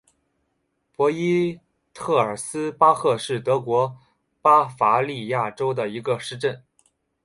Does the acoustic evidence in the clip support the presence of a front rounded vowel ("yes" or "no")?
no